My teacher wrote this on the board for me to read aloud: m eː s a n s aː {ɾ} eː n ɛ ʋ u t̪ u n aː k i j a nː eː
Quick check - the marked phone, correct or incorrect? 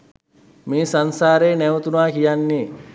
correct